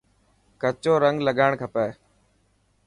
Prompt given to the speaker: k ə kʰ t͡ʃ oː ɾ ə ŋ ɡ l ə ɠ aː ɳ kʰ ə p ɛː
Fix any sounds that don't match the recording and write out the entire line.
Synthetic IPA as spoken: k ə t͡ʃ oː ɾ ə ŋ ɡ l ə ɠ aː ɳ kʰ ə p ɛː

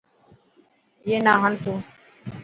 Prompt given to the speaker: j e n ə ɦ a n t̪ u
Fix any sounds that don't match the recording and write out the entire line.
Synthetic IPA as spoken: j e n a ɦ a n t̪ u

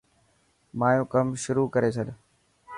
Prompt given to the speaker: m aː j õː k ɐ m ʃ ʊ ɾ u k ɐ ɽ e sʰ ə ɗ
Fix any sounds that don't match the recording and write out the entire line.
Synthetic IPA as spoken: m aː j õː k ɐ m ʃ ʊ ɾ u k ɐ ɾ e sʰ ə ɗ

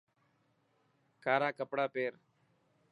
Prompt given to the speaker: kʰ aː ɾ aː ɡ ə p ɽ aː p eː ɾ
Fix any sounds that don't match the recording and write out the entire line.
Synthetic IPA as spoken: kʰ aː ɾ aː k ə p ɽ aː p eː ɾ

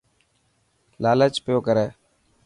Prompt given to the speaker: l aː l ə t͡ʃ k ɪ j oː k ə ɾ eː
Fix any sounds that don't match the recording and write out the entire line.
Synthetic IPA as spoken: l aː l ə t͡ʃ p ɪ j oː k ə ɾ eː

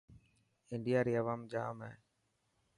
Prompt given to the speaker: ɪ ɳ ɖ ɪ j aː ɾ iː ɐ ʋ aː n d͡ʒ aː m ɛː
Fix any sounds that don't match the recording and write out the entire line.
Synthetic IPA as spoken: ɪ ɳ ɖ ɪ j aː ɾ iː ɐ ʋ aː m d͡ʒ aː m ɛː

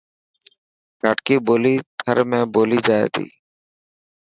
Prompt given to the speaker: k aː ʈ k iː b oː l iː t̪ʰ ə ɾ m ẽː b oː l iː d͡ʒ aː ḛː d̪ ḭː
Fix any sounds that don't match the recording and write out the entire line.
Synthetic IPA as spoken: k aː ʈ k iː b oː l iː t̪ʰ ə ɾ m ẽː b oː l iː d͡ʒ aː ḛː t̪ ḭː

